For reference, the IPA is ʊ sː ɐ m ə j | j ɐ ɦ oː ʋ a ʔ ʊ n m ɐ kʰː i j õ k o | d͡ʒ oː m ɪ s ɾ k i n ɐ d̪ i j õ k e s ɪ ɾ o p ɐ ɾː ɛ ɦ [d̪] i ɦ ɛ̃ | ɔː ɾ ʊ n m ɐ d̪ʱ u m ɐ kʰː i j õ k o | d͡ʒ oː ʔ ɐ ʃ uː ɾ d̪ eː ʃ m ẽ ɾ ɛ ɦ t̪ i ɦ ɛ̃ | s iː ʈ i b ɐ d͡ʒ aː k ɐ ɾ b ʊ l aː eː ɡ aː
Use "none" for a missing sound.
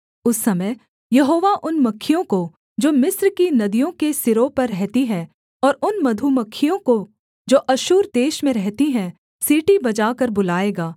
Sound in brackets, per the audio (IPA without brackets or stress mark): t̪